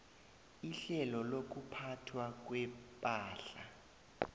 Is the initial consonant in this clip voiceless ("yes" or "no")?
yes